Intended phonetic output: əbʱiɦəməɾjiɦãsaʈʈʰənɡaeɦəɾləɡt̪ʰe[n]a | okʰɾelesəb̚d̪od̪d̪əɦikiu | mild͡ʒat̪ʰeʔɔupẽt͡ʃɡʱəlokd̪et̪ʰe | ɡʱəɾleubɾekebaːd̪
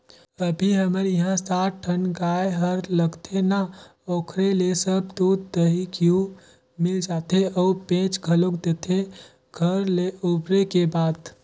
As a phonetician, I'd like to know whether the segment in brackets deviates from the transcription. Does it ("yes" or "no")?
no